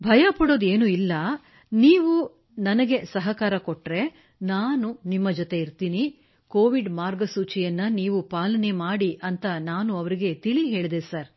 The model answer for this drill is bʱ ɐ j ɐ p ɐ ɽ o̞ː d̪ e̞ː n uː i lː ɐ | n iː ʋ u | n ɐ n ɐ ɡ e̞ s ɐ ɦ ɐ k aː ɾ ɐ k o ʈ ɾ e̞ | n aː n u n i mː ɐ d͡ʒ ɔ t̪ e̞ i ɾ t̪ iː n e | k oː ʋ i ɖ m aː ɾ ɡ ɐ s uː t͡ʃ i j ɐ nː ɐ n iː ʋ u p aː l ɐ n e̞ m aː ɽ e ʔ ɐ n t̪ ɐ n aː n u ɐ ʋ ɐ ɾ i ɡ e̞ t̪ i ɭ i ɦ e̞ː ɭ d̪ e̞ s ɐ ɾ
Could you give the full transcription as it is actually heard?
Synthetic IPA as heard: bʱ ɐ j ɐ p ɐ ɽ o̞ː d̪ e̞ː n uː i lː ɐ | n iː ʋ u | n ɐ n ɐ ɡ e̞ s ɐ ɦ ɐ k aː ɾ ɐ k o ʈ ɾ e̞ | n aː n u n i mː ɐ d͡ʒ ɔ t̪ e̞ i ɾ t̪ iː n i | k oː ʋ i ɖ m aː ɾ ɡ ɐ s uː t͡ʃ i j ɐ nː ɐ n iː ʋ u p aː l ɐ n e̞ m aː ɽ i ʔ ɐ n t̪ ɐ n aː n u ɐ ʋ ɐ ɾ i ɡ e̞ t̪ i ɭ i ɦ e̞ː ɭ d̪ e̞ s ɐ ɾ